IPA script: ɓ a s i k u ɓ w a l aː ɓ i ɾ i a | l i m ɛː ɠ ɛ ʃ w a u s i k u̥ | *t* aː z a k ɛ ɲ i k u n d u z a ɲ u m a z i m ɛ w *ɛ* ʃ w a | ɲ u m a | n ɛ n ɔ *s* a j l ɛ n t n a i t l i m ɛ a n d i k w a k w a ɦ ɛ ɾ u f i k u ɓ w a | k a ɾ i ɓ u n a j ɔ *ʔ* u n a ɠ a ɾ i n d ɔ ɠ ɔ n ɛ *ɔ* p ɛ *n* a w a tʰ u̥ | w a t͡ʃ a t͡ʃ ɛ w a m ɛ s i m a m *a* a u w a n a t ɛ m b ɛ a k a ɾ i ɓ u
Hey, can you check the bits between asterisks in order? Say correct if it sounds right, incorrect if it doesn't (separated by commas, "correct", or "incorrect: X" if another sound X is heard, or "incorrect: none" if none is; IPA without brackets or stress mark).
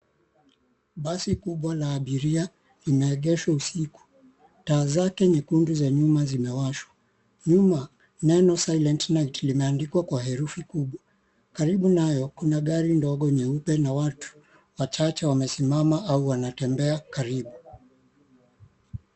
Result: correct, incorrect: a, correct, incorrect: k, incorrect: u, correct, correct